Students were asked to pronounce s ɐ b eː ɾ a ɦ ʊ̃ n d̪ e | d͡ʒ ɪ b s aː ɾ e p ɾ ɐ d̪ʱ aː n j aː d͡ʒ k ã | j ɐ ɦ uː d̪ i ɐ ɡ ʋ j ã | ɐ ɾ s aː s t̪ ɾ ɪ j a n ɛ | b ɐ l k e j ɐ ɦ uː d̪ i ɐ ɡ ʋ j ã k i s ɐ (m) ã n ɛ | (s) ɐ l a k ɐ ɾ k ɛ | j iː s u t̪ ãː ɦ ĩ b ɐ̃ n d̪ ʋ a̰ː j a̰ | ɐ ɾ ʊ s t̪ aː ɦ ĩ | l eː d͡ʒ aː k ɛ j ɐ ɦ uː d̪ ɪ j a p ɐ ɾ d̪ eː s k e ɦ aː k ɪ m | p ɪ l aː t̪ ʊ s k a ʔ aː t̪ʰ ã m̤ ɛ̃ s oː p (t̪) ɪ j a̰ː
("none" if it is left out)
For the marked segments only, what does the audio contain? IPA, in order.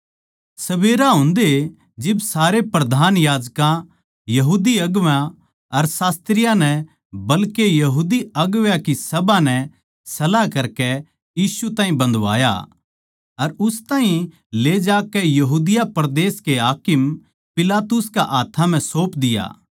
b, s, d̪

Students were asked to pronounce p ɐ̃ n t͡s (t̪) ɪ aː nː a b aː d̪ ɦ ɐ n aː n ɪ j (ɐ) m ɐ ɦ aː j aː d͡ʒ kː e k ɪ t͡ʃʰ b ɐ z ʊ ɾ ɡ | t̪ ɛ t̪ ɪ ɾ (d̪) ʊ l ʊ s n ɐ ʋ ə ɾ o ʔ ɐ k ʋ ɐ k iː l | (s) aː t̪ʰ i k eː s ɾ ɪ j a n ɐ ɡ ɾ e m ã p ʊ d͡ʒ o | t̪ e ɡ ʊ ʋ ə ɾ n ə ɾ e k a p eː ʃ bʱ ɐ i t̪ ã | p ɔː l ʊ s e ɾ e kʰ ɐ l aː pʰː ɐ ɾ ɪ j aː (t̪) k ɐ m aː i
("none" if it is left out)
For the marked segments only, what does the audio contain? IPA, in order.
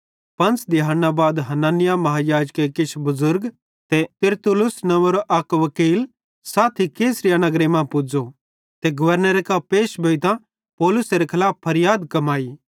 d̪, a, t̪, s, d̪

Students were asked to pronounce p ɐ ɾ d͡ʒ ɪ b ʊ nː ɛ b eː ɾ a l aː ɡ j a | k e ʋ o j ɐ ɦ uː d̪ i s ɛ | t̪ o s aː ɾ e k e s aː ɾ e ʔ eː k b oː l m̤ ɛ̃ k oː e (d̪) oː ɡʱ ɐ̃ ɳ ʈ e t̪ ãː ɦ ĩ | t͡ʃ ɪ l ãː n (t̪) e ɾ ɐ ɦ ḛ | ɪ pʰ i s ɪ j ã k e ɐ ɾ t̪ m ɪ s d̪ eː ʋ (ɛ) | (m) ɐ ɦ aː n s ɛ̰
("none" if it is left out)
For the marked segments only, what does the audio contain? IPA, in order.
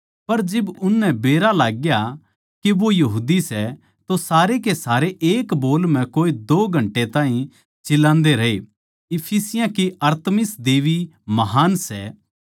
d̪, d̪, i, m

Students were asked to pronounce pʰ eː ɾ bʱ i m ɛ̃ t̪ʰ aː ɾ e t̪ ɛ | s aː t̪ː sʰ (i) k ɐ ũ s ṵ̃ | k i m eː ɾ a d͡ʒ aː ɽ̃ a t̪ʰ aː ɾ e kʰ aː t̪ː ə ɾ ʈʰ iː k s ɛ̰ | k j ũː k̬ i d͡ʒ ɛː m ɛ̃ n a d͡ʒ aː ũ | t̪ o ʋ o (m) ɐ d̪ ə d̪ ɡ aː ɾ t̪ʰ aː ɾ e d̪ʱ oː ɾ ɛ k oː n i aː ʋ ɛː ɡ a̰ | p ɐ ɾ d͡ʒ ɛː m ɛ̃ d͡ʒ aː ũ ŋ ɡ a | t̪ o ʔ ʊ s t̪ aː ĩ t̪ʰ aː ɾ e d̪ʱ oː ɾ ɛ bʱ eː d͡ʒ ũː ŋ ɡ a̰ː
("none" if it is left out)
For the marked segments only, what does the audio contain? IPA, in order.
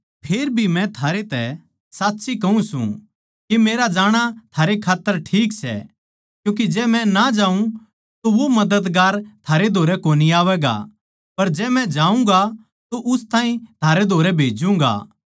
i, m

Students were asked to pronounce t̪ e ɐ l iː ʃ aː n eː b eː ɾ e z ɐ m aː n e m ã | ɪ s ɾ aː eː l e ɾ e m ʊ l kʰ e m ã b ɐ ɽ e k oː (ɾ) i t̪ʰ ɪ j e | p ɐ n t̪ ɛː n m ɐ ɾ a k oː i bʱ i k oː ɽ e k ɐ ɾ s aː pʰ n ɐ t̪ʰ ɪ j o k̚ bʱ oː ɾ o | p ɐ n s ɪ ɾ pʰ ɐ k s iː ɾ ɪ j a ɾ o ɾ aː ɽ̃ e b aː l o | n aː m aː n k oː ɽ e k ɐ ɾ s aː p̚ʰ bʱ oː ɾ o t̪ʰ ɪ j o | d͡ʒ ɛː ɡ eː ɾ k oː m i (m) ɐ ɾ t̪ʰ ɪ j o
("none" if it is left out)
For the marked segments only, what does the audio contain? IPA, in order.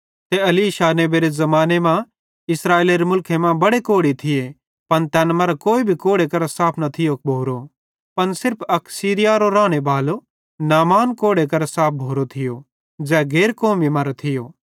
ɽ, m

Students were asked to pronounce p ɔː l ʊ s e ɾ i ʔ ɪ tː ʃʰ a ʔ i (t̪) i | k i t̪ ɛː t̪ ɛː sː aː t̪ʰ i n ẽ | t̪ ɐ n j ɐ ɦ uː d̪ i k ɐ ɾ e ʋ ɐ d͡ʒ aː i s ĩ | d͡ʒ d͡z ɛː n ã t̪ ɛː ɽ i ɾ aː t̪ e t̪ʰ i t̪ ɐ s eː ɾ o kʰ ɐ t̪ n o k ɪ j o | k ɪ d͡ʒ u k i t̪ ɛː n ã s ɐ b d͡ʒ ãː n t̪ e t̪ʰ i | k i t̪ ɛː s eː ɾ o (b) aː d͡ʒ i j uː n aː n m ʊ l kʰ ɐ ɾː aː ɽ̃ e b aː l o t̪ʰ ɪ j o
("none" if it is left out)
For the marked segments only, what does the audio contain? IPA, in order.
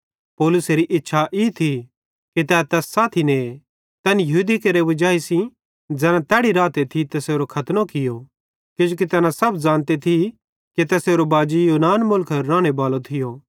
t̪ʰ, b

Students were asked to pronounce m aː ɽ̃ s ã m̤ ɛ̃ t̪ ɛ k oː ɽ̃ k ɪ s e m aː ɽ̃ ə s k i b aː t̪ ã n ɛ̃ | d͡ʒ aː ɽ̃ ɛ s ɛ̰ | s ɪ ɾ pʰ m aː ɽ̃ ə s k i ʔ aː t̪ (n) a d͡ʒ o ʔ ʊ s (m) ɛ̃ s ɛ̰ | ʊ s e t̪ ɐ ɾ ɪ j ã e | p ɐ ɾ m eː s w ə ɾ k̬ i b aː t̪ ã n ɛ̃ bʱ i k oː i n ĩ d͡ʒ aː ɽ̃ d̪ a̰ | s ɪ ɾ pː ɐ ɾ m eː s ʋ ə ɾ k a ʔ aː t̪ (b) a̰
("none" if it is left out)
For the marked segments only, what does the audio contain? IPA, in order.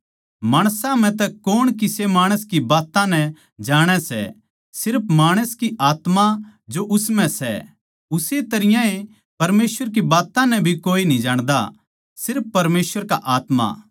m, m, m

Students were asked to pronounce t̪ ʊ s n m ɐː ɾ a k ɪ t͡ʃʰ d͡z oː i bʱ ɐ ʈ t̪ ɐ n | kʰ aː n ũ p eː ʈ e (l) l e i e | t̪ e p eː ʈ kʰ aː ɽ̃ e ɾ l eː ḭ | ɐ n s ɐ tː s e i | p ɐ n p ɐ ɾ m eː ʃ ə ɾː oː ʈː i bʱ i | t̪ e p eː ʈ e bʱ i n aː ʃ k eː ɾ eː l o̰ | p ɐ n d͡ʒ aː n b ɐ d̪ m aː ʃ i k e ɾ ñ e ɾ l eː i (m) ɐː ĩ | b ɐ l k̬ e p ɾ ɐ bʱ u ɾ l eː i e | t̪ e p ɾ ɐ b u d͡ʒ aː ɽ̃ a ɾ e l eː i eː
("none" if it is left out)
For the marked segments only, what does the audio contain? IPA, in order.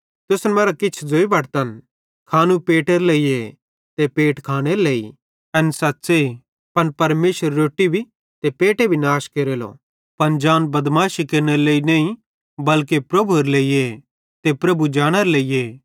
ɾ, n

